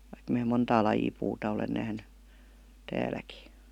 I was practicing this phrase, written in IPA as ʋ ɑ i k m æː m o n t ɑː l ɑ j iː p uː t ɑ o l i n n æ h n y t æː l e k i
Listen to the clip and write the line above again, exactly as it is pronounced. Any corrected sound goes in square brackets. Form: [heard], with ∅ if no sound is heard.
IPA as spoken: ʋ ɑ i k m æː m o n t ɑː l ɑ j iː p uː t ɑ o l [e] n n æ h n y t æː l [æ] k i